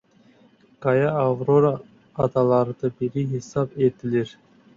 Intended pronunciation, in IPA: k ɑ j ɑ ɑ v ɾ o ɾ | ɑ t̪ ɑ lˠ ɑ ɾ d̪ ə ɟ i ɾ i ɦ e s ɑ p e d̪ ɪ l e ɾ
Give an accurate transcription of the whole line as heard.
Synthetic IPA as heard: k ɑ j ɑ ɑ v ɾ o ɾ | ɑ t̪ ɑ lˠ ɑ ɾ d̪ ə b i ɾ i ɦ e s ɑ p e t̪ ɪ l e ɾ